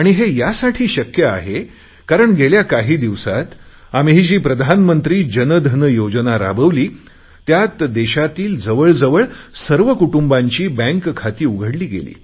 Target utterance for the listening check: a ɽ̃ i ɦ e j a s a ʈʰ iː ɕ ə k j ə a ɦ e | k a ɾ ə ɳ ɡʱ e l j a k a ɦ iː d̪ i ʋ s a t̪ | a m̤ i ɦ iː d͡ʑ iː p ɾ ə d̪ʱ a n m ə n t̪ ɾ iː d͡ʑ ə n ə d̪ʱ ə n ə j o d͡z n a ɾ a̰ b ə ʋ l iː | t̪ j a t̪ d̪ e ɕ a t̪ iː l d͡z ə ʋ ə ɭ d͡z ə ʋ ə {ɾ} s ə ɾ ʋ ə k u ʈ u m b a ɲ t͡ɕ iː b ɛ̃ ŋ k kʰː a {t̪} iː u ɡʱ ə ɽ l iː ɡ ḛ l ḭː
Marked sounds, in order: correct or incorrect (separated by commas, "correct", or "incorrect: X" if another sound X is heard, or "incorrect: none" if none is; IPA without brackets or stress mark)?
incorrect: ɭ, correct